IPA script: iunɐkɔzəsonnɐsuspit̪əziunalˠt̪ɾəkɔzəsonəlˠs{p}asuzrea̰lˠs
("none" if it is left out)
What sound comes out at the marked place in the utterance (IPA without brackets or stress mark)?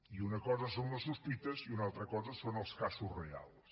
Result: k